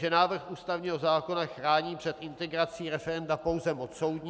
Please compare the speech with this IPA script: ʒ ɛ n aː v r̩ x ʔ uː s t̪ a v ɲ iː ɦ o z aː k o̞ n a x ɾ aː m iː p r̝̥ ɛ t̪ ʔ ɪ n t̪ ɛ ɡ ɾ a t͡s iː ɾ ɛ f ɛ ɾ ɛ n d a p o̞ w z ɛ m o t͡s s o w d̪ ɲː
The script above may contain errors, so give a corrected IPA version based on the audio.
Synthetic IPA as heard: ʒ ɛ n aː v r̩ x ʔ uː s t̪ a v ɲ iː ɦ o z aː k o̞ n a x ɾ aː ɲ iː p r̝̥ ɛ t̪ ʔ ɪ n t̪ ɛ ɡ ɾ a t͡s iː ɾ ɛ f ɛ ɾ ɛ n d a p o̞ w z ɛ m o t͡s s o w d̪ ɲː